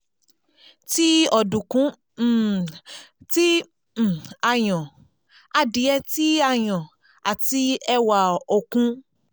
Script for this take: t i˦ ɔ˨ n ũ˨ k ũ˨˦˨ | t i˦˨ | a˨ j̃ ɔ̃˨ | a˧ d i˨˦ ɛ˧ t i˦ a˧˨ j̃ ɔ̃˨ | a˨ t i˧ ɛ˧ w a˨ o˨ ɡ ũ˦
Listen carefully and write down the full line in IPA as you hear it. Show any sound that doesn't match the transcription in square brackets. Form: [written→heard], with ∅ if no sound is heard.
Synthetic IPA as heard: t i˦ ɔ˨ [n→d] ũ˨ k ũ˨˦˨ | t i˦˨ | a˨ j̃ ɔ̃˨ | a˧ d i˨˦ ɛ˧ t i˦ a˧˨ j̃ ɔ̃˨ | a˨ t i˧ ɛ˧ w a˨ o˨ [ɡ→k] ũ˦